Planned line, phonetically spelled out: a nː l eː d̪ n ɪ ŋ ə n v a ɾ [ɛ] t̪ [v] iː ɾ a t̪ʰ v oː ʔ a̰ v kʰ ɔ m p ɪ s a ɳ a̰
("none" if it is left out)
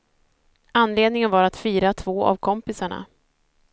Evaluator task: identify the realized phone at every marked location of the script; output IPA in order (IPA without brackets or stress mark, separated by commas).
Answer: a, f